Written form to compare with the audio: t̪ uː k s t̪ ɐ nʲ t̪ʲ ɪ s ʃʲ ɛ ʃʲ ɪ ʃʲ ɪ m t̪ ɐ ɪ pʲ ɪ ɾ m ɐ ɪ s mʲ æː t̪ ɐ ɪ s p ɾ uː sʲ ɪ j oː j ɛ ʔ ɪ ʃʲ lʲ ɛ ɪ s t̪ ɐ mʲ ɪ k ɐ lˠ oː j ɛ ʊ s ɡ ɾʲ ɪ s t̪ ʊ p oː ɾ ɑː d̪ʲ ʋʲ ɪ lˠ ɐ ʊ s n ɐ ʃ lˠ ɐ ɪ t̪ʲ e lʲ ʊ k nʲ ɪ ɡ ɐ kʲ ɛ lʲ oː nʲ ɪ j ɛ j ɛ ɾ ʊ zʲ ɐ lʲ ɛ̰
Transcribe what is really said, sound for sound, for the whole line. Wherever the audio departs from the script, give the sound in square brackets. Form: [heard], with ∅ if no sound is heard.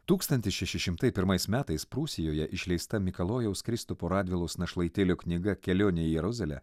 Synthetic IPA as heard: t̪ uː k s t̪ ɐ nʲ t̪ʲ ɪ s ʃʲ ɛ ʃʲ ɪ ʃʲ ɪ m t̪ ɐ ɪ pʲ ɪ ɾ m ɐ ɪ s mʲ æː t̪ ɐ ɪ s p ɾ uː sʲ ɪ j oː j ɛ ʔ ɪ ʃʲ lʲ ɛ ɪ s t̪ ɐ mʲ ɪ k ɐ lˠ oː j ɛ ʊ s [k] ɾʲ ɪ s t̪ ʊ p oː ɾ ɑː d̪ʲ ʋʲ ɪ lˠ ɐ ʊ s n ɐ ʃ lˠ ɐ ɪ t̪ʲ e lʲ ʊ k nʲ ɪ ɡ ɐ kʲ ɛ lʲ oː nʲ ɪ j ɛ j ɛ ɾ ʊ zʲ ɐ lʲ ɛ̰